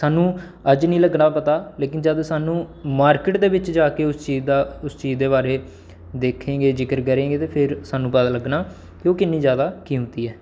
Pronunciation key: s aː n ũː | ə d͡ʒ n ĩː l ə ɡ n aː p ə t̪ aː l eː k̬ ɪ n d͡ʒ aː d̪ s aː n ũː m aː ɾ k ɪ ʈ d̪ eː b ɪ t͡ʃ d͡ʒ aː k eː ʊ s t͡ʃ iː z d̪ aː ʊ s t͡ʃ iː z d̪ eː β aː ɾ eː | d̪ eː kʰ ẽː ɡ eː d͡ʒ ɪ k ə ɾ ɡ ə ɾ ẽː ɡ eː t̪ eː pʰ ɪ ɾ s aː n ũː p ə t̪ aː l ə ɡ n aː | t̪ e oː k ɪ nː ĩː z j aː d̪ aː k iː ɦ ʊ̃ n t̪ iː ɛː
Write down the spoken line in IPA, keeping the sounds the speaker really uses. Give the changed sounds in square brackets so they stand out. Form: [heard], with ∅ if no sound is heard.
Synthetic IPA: s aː n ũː | ə d͡ʒ n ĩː l ə ɡ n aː p ə t̪ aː l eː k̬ ɪ n d͡ʒ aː d̪ s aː n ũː m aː ɾ k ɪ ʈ d̪ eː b ɪ t͡ʃ d͡ʒ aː k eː ʊ s t͡ʃ iː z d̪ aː ʊ s t͡ʃ iː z d̪ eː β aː ɾ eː | d̪ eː kʰ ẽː ɡ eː d͡ʒ ɪ k ə ɾ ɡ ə ɾ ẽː ɡ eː t̪ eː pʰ ɪ ɾ s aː n ũː p ə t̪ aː l ə ɡ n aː | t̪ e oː k ɪ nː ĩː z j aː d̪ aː k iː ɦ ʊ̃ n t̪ iː ɛː